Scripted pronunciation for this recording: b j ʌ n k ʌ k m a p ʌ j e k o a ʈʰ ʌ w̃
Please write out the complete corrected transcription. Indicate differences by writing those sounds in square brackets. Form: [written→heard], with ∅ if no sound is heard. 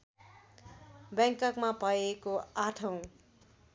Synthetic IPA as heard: b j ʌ [n→ŋ] k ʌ k m a p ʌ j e k o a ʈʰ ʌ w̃